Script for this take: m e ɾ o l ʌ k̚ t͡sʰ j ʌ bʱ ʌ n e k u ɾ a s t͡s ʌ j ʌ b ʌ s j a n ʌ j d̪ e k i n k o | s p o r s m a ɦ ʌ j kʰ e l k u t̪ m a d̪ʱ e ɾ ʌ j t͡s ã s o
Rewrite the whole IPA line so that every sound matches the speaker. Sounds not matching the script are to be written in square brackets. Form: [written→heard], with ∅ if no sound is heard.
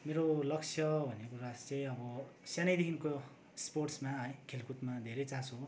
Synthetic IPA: m e ɾ o l ʌ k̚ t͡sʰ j ʌ bʱ ʌ n e k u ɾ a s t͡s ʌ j ʌ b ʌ s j a n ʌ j d̪ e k i n k o | s p o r s m a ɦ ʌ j kʰ e l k u t̪ m a d̪ʱ e ɾ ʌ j t͡s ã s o